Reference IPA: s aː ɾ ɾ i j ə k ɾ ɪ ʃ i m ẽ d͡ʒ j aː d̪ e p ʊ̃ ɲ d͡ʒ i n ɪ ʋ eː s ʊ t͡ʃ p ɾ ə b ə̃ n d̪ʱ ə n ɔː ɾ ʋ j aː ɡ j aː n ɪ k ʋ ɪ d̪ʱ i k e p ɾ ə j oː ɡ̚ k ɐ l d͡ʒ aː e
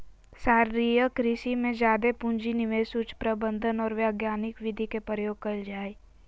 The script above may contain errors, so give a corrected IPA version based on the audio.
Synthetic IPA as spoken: s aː ɾ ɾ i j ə k ɾ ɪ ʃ i m ẽ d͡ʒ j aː d̪ e p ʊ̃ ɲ d͡ʒ i n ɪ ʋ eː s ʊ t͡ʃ p ɾ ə b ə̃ n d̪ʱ ə n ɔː ɾ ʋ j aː ɡ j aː n ɪ k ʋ ɪ d̪ʱ i k e p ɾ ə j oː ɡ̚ k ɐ l d͡ʒ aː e

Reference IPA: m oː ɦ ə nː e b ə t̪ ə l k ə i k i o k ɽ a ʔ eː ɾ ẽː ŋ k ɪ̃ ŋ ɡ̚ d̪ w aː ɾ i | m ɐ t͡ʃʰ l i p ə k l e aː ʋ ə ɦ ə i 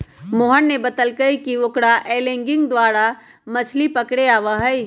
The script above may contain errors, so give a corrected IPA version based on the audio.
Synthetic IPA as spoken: m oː ɦ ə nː e b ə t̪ ə l k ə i k i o k ɽ a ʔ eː l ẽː ŋ ɡ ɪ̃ ŋ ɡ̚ d̪ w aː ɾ a | m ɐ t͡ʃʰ l i p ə k ɽ e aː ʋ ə ɦ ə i

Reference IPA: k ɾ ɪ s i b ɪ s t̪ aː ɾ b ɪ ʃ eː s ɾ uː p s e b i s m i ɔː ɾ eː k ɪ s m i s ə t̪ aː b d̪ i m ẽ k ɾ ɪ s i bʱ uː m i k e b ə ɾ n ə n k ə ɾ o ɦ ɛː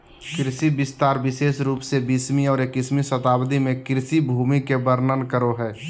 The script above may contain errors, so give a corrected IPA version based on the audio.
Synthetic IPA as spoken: k ɾ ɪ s i b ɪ s t̪ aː ɾ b ɪ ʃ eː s ɾ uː p s e b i s m i ɔː ɾ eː k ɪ s m i s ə t̪ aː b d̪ i m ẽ k ɾ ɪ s i bʱ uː m i k e b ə ɾ n ə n k ə ɾ o ɦ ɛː

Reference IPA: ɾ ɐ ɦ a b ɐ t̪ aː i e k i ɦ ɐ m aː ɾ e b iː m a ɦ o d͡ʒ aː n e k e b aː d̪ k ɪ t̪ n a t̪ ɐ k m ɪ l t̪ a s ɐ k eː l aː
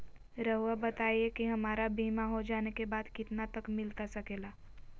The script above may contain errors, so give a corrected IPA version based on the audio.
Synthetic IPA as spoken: ɾ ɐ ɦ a b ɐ t̪ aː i e k i ɦ ɐ m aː ɾ a b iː m a ɦ o d͡ʒ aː n e k e b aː d̪ k ɪ t̪ n a t̪ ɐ k m ɪ l t̪ a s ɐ k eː l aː

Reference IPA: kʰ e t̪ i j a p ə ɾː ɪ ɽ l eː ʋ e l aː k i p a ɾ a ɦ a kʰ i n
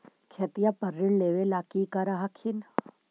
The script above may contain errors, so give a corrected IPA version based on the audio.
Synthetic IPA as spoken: kʰ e t̪ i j a p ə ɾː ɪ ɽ l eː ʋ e l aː k i k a ɾ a ɦ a kʰ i n

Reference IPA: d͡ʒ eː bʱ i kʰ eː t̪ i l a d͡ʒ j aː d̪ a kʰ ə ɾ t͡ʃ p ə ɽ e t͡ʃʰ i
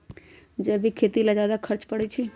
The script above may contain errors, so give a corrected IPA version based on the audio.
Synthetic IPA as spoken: d͡ʒ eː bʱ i kʰ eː t̪ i l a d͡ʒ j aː d̪ a kʰ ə ɾ t͡ʃ p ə ɽ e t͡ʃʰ i

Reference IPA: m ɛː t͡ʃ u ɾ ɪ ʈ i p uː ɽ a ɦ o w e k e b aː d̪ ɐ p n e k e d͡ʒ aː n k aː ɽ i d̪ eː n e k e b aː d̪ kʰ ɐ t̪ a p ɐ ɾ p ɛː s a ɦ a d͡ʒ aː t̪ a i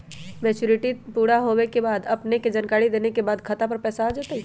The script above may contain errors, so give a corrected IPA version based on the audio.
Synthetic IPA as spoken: m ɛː t͡ʃ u ɾ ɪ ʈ i p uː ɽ a ɦ o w e k e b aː d̪ ɐ p n e k e d͡ʒ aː n k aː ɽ i d̪ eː n e k e b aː d̪ kʰ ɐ t̪ a p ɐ ɾ p ɛː s a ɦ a d͡ʒ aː t̪ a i

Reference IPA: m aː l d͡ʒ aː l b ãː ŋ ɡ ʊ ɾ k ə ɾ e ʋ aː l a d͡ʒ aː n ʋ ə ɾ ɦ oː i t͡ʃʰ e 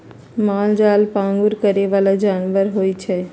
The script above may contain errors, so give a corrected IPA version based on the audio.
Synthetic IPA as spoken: m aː l d͡ʒ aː l p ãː ŋ ɡ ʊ ɾ k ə ɾ e ʋ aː l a d͡ʒ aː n ʋ ə ɾ ɦ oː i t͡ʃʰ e

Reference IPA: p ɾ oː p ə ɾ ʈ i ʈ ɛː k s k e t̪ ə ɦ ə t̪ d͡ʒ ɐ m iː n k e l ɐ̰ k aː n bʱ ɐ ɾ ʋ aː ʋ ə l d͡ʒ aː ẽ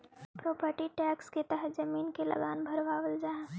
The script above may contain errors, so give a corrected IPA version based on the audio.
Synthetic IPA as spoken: p ɾ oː p ə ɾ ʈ i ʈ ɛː k s k e t̪ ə ɦ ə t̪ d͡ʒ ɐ m iː n k e l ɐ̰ ɡ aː n bʱ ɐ ɾ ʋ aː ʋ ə l d͡ʒ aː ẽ

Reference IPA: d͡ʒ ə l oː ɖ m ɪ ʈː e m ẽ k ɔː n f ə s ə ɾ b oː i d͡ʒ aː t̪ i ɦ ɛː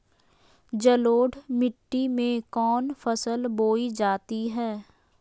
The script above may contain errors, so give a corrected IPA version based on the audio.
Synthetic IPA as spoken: d͡ʒ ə l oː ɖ m ɪ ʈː i m ẽ k ɔː n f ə s ə l b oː i d͡ʒ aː t̪ i ɦ ɛː

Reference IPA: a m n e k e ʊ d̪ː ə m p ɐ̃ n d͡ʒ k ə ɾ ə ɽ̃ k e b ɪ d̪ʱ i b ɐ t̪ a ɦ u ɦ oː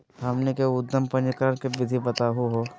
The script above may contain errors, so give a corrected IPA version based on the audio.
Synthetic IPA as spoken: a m n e k e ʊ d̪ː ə m p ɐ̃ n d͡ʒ k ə ɾ ə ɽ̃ k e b ɪ d̪ʱ i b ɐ t̪ a ɦ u ɦ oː

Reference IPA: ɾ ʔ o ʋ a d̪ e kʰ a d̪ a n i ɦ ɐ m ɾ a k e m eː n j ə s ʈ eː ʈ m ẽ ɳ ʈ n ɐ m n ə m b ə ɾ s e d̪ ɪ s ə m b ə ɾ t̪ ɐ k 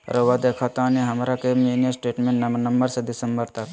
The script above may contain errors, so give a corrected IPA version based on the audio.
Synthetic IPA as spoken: ɾ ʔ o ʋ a d̪ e kʰ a t̪ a n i ɦ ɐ m ɾ a k e m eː n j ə s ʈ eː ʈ m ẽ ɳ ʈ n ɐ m n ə m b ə ɾ s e d̪ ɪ s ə m b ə ɾ t̪ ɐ k

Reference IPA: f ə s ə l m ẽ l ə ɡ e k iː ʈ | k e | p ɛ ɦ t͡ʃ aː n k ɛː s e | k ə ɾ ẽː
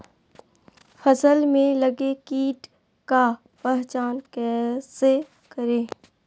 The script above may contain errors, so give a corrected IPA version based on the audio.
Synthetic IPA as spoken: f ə s ə l m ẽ l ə ɡ e k iː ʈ | k a | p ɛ ɦ t͡ʃ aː n k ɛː s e | k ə ɾ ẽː

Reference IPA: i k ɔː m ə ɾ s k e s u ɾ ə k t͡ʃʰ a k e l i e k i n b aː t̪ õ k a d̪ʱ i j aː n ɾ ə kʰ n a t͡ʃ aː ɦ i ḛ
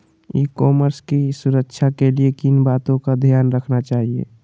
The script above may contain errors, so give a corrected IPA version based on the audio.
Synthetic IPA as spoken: i k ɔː m ə ɾ s k i s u ɾ ə k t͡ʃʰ a k e l i e k i n b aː t̪ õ k a d̪ʱ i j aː n ɾ ə kʰ n a t͡ʃ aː ɦ i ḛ

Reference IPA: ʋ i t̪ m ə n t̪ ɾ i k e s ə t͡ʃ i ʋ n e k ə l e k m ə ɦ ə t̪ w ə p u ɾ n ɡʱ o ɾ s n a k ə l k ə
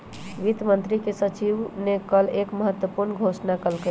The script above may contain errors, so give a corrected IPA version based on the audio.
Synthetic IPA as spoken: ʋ i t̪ m ə n t̪ ɾ i k e s ə t͡ʃ i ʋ n e k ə l e k m ə ɦ ə t̪ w ə p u ɾ n ɡʱ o s n a k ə l k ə

